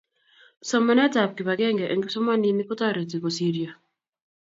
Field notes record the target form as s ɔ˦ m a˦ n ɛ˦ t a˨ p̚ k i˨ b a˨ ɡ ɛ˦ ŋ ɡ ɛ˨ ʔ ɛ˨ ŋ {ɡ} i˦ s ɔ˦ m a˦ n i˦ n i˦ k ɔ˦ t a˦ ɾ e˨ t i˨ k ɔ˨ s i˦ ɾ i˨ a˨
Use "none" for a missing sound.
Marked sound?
ɡ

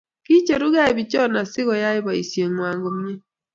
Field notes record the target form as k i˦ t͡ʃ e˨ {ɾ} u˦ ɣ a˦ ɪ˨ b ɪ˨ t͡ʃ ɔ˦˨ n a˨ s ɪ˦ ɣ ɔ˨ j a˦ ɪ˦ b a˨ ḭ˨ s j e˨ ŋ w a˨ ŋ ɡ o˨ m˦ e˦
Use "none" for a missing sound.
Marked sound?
ɾ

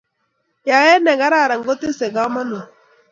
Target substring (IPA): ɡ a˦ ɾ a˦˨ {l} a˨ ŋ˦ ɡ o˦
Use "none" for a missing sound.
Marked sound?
ɾ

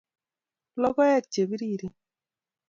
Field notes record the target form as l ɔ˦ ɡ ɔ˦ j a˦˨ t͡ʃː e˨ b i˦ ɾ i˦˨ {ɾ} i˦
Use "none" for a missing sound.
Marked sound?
ɾ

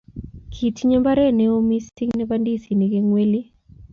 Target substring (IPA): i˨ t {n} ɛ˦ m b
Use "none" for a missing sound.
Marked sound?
ɲ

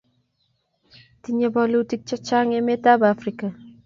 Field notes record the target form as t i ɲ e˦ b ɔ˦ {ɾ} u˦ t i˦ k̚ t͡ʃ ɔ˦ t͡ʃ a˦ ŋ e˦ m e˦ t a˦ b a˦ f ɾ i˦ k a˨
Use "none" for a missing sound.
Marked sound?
l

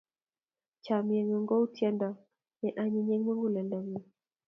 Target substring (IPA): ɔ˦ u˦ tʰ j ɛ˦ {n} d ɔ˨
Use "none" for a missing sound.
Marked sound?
n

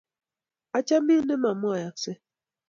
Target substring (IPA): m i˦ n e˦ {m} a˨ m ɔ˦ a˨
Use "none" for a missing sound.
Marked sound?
m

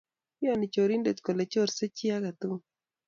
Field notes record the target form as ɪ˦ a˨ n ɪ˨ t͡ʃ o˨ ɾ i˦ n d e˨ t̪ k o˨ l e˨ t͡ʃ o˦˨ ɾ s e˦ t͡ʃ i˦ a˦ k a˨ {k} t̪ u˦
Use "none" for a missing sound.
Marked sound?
none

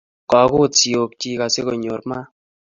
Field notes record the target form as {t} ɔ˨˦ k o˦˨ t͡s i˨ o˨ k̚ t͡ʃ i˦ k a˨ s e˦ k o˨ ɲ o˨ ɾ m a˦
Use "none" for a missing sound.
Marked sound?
k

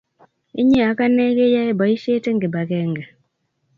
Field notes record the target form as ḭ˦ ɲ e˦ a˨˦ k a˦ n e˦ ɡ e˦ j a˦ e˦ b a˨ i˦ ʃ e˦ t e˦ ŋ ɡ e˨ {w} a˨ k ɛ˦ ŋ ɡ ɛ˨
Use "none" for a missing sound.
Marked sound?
b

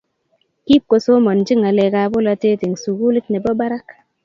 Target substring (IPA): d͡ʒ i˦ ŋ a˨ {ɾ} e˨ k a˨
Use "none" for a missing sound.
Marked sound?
l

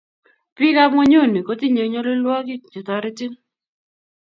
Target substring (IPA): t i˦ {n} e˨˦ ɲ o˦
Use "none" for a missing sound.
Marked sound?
ɲ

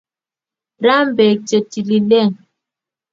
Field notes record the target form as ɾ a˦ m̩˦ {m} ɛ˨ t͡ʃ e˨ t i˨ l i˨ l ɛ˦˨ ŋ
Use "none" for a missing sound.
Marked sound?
b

